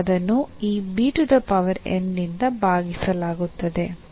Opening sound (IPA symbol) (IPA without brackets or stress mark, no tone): d̪